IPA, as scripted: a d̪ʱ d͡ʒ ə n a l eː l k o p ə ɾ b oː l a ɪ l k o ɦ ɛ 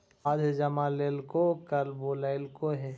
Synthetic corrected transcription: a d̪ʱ d͡ʒ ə m a l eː l k o k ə ɾ b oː l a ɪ l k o ɦ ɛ